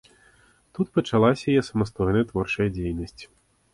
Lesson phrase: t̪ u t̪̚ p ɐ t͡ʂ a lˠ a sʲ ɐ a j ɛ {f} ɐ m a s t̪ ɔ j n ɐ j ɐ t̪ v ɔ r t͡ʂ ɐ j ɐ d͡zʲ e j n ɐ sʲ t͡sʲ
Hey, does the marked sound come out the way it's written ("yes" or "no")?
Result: no